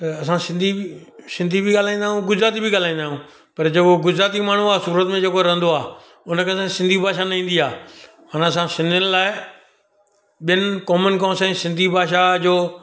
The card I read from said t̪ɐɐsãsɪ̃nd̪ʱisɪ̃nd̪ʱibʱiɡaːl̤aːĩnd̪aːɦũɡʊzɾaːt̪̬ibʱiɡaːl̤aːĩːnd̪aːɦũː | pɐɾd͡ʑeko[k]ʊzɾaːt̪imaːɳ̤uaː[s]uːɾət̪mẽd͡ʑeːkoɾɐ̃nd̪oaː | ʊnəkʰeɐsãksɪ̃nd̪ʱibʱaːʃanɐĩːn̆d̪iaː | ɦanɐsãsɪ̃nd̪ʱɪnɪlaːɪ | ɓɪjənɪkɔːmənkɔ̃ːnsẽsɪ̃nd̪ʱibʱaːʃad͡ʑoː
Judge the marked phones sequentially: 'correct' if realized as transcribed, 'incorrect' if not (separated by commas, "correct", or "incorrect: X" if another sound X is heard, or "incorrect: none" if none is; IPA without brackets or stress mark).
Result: incorrect: ɡ, correct